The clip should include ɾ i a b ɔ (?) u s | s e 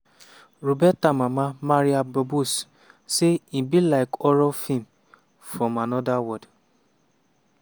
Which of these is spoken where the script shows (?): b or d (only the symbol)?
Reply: b